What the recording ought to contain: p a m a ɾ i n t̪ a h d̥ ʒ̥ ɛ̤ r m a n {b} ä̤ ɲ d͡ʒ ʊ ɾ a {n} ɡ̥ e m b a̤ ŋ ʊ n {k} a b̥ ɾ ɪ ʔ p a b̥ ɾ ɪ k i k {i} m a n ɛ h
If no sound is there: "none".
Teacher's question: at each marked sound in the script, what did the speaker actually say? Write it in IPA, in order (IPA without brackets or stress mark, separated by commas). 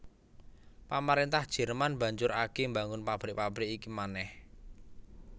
b, none, p, i